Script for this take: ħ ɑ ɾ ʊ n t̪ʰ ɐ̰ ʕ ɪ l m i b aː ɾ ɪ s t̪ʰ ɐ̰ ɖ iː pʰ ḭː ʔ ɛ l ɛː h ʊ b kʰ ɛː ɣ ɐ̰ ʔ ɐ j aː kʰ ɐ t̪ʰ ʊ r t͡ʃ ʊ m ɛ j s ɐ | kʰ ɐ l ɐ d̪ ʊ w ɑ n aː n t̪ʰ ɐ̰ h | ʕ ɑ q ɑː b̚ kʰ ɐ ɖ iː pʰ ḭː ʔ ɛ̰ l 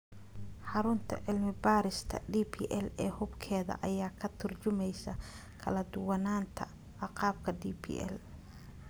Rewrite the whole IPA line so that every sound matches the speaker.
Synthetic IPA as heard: ħ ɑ ɾ ʊ n t̪ʰ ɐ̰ ʕ ɪ l m ɪ b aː ɾ ɪ s t̪ʰ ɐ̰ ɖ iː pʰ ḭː ʔ ɛ l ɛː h ʊ b kʰ ɛː ð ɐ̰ ʔ ɐ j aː kʰ ɐ t̪ʰ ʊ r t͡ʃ ʊ m ɛ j s ɐ | kʰ ɐ l ɐ d̪ ʊ w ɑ n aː n t̪ʰ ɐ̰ | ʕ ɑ q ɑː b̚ kʰ ɐ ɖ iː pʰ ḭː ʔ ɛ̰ l